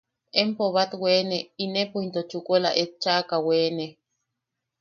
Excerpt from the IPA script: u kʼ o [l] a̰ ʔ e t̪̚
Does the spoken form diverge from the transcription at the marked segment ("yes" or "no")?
no